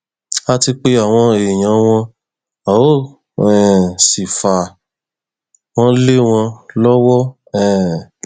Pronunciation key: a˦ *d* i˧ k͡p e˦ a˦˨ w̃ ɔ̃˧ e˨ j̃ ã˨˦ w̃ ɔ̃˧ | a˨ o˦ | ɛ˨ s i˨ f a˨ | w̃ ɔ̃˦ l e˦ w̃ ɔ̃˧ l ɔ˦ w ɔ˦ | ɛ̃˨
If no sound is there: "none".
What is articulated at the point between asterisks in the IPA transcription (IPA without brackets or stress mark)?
t